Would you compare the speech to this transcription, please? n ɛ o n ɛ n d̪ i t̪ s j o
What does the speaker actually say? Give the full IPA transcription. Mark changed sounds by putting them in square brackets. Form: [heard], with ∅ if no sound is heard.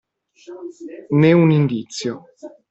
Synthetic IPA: n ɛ [u] n [i] n d̪ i t̪ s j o